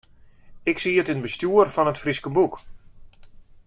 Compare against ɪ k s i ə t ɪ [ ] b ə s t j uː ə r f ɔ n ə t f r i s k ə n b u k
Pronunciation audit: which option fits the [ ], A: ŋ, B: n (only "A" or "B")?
B